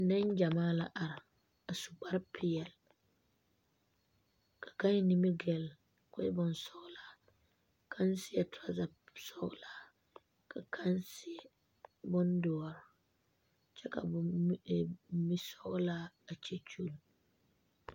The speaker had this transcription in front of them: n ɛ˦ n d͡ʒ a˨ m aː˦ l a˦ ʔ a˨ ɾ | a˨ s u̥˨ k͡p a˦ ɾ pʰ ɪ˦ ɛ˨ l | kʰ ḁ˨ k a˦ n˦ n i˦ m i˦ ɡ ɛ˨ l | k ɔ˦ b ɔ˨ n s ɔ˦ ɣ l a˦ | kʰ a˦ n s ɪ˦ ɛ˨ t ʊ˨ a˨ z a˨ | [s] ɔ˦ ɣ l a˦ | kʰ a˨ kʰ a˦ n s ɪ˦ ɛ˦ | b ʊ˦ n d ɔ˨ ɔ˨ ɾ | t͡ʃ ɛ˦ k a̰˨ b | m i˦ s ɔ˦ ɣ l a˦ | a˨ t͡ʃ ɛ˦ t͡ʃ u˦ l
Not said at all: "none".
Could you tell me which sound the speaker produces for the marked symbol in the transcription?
s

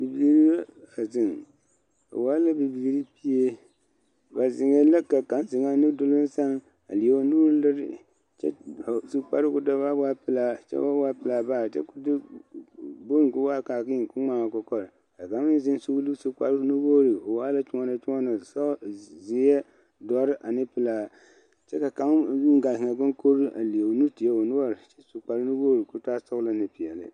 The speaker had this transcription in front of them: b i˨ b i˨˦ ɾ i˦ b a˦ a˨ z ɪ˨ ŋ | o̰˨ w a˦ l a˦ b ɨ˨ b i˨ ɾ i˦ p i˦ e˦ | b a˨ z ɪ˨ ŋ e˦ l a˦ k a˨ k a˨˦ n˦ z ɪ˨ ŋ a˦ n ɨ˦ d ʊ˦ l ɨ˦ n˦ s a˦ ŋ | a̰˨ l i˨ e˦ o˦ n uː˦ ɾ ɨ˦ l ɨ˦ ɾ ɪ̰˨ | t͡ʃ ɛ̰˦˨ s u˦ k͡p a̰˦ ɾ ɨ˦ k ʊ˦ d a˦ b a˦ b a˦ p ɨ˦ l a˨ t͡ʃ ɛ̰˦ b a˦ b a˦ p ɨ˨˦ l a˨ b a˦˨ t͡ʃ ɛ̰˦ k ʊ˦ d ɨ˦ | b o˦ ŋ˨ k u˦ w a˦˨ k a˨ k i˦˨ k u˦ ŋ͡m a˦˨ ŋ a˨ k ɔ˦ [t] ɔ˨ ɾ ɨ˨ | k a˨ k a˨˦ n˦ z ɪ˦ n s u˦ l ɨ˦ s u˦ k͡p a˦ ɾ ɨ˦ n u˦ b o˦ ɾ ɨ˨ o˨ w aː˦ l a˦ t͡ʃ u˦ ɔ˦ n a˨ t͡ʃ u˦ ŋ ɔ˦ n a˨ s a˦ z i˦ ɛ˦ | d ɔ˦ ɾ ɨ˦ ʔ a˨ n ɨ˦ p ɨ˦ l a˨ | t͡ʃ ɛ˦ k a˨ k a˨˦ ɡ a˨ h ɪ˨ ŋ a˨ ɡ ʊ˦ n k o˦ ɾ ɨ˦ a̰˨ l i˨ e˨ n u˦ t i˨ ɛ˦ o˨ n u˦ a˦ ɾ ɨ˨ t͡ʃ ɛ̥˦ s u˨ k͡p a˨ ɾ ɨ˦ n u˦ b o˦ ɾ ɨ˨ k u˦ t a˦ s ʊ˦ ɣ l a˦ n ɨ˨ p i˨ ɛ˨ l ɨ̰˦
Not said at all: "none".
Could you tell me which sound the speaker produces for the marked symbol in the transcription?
k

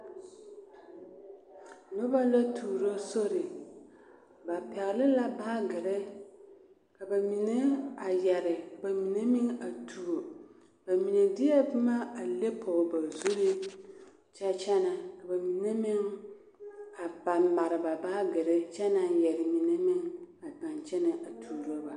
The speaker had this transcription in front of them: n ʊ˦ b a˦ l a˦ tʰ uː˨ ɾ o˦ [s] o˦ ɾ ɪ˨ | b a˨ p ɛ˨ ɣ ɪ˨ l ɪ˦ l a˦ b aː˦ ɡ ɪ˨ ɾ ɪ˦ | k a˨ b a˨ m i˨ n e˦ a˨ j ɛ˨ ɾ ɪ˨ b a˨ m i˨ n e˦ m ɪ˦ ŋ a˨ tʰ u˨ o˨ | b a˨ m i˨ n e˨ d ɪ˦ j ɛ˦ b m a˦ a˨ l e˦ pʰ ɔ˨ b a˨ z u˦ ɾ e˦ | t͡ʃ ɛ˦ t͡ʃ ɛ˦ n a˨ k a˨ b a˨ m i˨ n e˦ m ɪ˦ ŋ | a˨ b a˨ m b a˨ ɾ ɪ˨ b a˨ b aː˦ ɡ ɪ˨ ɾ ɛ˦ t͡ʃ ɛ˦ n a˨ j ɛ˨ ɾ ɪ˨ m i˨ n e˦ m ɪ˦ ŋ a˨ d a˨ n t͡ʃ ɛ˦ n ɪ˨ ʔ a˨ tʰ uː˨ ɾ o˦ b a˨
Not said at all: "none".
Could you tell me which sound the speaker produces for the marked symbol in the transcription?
s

